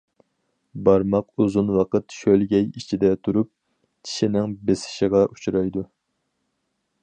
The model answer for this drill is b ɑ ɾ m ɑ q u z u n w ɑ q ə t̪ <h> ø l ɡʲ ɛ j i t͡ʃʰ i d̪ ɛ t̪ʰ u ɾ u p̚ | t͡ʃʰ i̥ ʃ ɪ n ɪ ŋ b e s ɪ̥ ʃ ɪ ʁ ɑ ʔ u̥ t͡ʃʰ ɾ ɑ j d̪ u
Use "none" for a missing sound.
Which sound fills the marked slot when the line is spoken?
ʃ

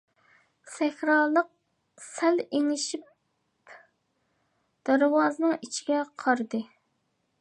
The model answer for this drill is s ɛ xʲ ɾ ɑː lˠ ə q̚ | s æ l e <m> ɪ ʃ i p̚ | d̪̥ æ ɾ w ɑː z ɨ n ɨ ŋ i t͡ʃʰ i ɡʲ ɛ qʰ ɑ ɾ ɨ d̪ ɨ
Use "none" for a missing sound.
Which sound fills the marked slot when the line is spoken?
ŋ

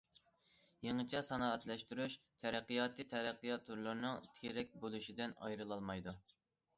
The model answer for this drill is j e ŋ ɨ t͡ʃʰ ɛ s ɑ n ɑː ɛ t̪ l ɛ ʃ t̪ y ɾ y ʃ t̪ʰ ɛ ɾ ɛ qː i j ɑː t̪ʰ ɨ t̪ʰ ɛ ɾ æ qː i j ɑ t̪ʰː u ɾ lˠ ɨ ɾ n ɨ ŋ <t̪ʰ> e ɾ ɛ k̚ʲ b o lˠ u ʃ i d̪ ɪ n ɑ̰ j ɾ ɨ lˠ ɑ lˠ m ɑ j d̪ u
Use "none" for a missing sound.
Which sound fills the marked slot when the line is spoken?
t̪ʰ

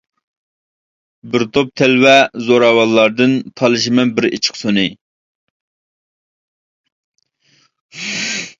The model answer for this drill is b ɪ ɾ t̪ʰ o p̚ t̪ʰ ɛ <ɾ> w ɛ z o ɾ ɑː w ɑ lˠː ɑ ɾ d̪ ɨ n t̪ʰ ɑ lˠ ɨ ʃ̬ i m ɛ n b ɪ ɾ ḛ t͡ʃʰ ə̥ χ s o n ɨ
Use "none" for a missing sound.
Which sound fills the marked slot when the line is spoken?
l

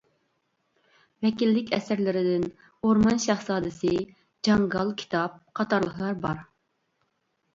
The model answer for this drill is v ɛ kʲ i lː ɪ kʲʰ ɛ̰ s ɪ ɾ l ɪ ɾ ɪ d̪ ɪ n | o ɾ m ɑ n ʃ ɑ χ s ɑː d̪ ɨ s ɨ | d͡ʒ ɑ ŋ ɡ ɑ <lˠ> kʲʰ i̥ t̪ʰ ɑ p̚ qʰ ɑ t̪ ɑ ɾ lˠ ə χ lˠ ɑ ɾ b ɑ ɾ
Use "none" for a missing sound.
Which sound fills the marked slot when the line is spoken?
lˠ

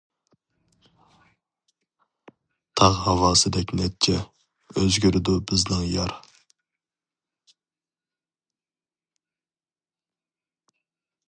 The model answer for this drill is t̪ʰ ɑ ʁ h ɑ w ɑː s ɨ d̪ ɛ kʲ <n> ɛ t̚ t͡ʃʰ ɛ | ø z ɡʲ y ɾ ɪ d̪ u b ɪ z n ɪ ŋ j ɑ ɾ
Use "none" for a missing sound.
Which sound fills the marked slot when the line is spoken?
n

